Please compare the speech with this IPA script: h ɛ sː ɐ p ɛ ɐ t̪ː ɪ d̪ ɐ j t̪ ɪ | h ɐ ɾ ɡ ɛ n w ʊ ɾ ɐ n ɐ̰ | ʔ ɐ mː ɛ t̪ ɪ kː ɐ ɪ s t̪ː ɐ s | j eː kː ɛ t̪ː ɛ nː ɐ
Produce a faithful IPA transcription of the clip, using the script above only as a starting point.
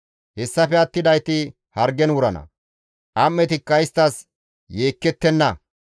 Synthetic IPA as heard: h ɛ sː ɐ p ɛ ɐ t̪ː ɪ d̪ ɐ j t̪ ɪ | h ɐ ɾ ɡ ɛ n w ʊ ɾ ɐ n ɐ̰ | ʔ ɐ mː ɛ t̪ ɪ kː ɐ ɪ s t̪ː ɐ s | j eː kː ɛ t̪ː ɛ nː ɐ